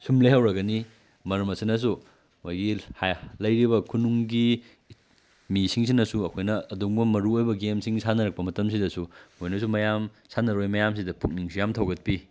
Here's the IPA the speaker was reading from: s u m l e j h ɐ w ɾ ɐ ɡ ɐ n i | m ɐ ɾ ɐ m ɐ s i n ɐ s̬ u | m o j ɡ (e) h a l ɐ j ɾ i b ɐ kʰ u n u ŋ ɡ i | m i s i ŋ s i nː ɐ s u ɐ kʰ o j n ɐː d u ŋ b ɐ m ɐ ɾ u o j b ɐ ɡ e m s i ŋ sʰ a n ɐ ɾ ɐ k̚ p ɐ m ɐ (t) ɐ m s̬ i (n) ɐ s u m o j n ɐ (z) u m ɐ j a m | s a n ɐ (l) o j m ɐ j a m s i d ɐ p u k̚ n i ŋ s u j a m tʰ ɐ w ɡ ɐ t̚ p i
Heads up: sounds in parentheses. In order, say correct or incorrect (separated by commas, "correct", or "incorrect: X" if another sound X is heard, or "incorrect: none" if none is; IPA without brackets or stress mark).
incorrect: i, correct, incorrect: d, incorrect: s, incorrect: ɾ